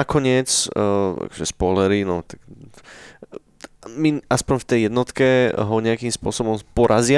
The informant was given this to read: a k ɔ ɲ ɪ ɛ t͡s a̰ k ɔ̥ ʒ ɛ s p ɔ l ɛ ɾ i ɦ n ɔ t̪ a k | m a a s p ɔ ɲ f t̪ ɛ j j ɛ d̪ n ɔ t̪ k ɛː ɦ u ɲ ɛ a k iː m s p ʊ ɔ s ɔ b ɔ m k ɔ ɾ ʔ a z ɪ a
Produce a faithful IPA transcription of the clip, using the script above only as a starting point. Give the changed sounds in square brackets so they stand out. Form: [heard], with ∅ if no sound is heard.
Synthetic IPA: a k ɔ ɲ ɪ ɛ t͡s a̰ k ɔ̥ ʒ ɛ s p ɔ l ɛ ɾ i [∅] n ɔ t̪ a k | m [i] a s p ɔ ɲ f t̪ ɛ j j ɛ d̪ n ɔ t̪ k [ɛ] ɦ [ɔ] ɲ ɛ a k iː m s p ʊ ɔ s ɔ b ɔ m [p] ɔ ɾ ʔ a z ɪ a